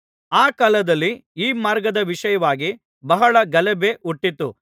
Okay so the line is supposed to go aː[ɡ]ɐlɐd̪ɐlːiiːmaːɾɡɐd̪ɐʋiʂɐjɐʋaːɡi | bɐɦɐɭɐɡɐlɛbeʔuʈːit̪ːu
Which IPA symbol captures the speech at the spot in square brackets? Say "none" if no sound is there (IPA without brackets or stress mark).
k